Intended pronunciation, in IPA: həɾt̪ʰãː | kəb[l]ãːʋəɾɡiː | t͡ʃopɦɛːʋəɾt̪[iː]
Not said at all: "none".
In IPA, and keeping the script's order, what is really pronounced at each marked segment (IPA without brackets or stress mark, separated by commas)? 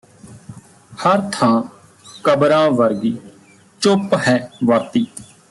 ɾ, iː